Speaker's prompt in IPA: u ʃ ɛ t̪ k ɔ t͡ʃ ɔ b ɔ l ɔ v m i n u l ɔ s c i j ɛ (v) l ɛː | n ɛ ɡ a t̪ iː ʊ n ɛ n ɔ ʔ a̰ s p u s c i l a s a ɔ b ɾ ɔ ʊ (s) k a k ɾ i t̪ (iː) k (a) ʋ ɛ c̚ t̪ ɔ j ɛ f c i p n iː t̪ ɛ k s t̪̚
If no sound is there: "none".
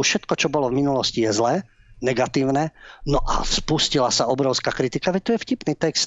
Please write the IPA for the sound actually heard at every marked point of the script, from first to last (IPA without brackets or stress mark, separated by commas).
z, s, i, a